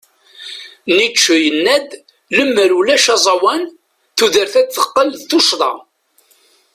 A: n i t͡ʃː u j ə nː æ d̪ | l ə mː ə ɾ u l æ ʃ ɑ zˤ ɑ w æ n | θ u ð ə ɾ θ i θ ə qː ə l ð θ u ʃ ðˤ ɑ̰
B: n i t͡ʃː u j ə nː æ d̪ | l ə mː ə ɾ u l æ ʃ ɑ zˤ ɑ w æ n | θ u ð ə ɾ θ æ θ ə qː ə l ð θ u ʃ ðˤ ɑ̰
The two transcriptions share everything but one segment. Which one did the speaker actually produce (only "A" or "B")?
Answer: B